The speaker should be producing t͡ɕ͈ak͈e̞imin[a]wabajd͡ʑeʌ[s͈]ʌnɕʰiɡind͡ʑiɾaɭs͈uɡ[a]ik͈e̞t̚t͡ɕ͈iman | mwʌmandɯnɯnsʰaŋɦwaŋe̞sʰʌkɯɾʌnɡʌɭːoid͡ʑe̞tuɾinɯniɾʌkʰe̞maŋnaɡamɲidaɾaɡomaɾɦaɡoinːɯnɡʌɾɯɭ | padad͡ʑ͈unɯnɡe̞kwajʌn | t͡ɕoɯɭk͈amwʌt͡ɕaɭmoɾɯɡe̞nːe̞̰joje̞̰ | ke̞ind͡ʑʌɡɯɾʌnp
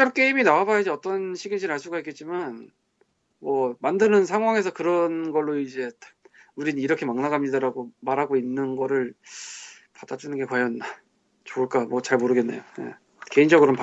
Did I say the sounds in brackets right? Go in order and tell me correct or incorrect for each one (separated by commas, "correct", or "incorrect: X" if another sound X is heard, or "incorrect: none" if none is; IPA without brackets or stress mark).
correct, incorrect: t͈, correct